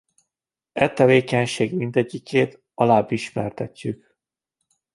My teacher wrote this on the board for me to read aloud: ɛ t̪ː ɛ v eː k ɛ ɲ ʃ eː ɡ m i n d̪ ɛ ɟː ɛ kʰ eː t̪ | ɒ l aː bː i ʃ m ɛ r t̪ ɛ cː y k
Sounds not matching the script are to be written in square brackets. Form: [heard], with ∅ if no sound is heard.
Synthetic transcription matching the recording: ɛ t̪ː ɛ v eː k ɛ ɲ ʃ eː ɡ m i n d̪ ɛ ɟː [i] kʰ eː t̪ | ɒ l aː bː i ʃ m ɛ r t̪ ɛ cː y k